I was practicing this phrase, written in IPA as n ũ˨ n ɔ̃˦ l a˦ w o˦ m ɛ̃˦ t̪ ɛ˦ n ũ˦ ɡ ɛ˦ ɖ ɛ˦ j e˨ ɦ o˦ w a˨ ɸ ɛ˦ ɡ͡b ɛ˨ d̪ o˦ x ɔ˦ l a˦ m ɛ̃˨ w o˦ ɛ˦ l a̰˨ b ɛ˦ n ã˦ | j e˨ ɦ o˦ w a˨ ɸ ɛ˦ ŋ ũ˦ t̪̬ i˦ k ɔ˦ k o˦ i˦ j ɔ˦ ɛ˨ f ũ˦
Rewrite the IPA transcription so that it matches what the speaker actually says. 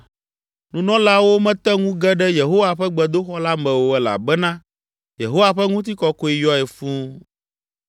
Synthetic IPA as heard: n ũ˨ n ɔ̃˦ l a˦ w o˦ m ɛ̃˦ t̪ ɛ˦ ŋ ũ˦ ɡ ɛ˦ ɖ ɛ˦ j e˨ ɦ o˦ w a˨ ɸ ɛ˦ ɡ͡b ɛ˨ d̪ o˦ x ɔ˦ l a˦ m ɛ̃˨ w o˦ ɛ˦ l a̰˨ b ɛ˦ n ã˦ | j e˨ ɦ o˦ w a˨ ɸ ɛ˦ ŋ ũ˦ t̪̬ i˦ k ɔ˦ k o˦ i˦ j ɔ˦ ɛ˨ f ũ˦